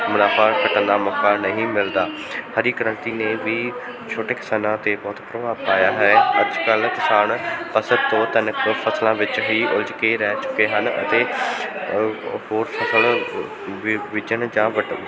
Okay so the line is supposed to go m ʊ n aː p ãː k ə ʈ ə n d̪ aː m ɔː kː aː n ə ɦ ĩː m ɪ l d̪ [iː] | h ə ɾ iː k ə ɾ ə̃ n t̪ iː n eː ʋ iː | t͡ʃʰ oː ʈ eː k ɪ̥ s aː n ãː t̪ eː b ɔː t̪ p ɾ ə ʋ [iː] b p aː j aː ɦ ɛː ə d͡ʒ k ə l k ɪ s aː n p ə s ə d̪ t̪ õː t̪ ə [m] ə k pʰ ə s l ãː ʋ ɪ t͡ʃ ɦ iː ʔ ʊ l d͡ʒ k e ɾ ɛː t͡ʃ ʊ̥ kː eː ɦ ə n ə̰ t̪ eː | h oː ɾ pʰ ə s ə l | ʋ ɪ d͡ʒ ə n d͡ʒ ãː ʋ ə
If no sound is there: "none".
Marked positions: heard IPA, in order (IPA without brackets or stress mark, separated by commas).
aː, aː, n